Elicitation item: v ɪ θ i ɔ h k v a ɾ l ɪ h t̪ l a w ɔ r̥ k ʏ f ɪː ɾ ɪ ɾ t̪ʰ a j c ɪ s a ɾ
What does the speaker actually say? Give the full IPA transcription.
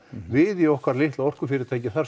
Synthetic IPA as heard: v ɪ ð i ɔ h k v a ɾ l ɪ h t̪ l a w ɔ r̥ k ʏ f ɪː ɾ ɪ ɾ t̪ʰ a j c ɪ θ a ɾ

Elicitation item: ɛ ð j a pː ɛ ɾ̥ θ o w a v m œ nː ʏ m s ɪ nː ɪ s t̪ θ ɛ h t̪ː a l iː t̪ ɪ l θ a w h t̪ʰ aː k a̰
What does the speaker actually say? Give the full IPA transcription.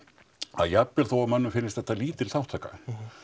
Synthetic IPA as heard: a ð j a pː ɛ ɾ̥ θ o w a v m œ nː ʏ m f ɪ nː ɪ s t̪ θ ɛ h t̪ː a l iː t̪ ɪ l θ a w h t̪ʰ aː k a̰

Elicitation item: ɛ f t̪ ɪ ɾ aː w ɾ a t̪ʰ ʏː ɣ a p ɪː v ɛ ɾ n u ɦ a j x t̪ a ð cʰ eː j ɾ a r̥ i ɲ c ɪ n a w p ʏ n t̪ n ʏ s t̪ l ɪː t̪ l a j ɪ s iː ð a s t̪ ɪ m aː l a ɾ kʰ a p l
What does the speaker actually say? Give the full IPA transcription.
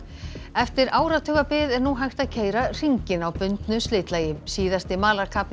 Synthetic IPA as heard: ɛ f t̪ ɪ ɾ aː w ɾ a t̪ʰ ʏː ɣ a p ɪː ð ɛ ɾ n u ɦ a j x t̪ a ð cʰ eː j ɾ a r̥ i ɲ c ɪ n a w p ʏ n t̪ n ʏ s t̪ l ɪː t̪ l a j ɪ s iː ð a s t̪ ɪ m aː l a ɾ kʰ a p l

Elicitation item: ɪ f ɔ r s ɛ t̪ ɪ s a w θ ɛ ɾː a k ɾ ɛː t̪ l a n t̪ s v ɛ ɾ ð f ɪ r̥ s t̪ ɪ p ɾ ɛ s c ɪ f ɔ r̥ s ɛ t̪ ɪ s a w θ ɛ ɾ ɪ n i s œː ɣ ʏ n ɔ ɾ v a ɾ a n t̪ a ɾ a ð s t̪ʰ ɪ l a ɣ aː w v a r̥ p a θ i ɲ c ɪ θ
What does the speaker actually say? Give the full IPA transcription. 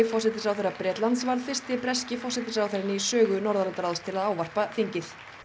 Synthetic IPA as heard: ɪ f ɔ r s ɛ t̪ ɪ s a w θ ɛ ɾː a p ɾ ɛː t̪ l a n t̪ s v a ɾ ð f ɪ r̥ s t̪ ɪ p ɾ ɛ s c ɪ f ɔ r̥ s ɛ t̪ ɪ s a w θ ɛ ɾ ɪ n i s œː ɣ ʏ n ɔ ɾ ð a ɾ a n t̪ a ɾ a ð s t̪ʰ ɪ l a ð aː w v a r̥ p a θ i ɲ c ɪ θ

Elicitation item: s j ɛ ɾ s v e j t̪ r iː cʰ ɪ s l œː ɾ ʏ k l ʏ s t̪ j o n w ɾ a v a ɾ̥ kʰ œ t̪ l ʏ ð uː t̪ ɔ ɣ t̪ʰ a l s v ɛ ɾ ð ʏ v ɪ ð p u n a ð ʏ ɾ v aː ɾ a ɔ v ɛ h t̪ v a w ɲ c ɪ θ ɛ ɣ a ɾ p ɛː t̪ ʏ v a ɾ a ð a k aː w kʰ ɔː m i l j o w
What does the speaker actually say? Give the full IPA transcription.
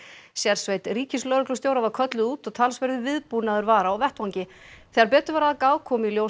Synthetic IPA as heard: s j ɛ ɾ s v e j t̪ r iː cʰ ɪ s l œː ɾ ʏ k l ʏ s t̪ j o w ɾ a v a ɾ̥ kʰ œ t̪ l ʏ ð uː t̪ ɔ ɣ t̪ʰ a l s v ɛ ɾ ð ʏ v ɪ ð p u n a ð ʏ ɾ v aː ɾ a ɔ v ɛ h t̪ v a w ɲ c ɪ θ ɛ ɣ a ɾ p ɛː t̪ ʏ v a ɾ a ð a k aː w kʰ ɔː m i l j o w

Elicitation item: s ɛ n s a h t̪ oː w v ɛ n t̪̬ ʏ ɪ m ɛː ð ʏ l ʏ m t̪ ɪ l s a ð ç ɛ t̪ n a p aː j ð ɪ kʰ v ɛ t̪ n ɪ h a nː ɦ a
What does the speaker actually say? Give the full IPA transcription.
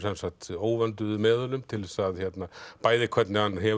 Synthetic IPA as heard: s ɛ n s a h t̪ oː w v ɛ n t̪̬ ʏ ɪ m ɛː ð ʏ l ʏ m t̪ʰ ɪ l s a ð ç ɛ t̪ n a p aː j ð ɪ kʰ v ɛ t̪ n ɪ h a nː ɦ ɛ

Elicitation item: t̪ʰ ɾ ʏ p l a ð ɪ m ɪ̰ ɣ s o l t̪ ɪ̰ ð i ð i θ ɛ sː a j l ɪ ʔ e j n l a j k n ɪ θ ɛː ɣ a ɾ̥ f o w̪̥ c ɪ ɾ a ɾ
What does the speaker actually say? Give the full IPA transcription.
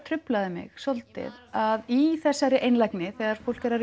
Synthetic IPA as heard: t̪ʰ ɾ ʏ p l a ð ɪ m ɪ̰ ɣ s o l t̪ ɪ̰ ð a ð i θ ɛ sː a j ɾ ɪ ʔ e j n l a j k n ɪ θ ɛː ɣ a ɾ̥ f o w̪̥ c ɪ ɾ a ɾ

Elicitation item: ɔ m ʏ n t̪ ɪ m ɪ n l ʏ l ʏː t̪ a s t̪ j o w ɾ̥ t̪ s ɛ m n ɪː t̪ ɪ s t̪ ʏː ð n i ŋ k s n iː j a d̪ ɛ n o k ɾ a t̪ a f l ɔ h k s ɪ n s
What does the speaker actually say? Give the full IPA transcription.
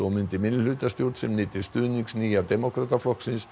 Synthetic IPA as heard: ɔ m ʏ n t̪ ɪ m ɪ n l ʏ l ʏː t̪ a s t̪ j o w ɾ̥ t̪ s ɛ m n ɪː t̪ ɪ s t̪ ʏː ð n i ŋ k s n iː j a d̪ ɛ m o k ɾ a t̪ a f l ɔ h k s ɪ n s

